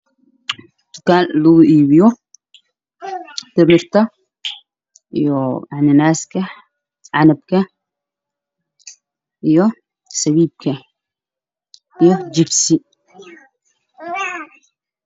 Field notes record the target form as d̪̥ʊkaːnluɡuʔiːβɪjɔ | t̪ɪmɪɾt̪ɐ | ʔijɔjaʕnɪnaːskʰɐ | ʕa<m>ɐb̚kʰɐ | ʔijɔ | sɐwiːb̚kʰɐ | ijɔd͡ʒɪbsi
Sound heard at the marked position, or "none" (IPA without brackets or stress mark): n